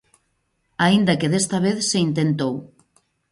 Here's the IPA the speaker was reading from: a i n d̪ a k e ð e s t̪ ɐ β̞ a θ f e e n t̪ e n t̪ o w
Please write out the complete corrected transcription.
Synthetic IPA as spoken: a i n d̪ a k e ð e s t̪ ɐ β̞ e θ s e i n t̪ e n t̪ o w

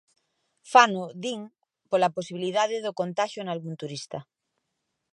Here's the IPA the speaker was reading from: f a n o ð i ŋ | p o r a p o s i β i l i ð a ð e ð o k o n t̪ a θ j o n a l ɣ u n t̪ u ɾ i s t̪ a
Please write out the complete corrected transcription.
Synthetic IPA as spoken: f a n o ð i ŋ | p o l a p o s i β i l i ð a ð e ð o k o n t̪ a ʃ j o n a l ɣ u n t̪ u ɾ i s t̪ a

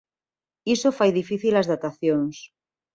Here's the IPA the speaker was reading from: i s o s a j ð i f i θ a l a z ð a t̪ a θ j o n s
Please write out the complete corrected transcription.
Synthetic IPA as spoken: i s o f a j ð i f i θ i l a z ð a t̪ a θ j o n s

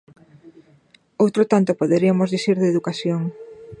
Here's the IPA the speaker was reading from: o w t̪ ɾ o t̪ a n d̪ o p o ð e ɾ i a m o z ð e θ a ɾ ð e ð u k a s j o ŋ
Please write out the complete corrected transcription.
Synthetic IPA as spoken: o w t̪ ɾ o t̪ a n t̪ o p o ð e ɾ i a m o z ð i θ i ɾ ð e ð u k a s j o ŋ

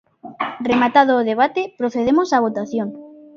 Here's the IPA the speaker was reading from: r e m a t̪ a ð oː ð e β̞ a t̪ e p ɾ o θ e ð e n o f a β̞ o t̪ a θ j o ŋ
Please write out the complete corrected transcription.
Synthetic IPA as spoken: r e m a t̪ a ð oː ð e β̞ a t̪ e p ɾ o θ e ð e m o s a β̞ o t̪ a θ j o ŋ

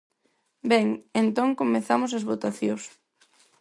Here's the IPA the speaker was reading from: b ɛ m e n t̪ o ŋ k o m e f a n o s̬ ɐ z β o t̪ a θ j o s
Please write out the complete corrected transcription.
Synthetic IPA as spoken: b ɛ ŋ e n t̪ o ŋ k o m e θ a m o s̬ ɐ z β o t̪ a θ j o s

